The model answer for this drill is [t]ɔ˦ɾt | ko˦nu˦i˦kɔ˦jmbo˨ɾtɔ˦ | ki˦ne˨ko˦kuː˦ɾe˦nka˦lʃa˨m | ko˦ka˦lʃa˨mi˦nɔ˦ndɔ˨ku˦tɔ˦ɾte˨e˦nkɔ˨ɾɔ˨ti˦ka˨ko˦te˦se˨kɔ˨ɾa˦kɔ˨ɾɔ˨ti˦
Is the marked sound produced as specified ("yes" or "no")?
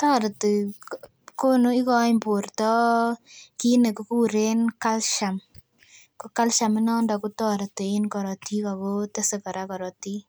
yes